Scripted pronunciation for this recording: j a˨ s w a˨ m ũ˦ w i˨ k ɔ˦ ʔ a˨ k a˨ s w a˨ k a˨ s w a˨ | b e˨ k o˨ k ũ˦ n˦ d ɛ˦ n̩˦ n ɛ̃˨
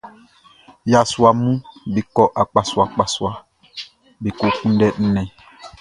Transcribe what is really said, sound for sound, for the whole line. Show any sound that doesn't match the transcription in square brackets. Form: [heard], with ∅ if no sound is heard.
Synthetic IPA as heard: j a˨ s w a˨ m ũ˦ [b] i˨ k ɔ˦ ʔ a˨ [k͡p] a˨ s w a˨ [k͡p] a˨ s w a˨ | b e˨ k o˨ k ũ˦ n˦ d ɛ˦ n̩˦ n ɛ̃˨